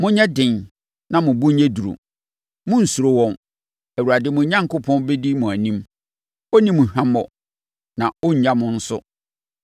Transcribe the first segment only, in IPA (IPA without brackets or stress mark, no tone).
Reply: m